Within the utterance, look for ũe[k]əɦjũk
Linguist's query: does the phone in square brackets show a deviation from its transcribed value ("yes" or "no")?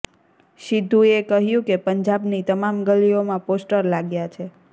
no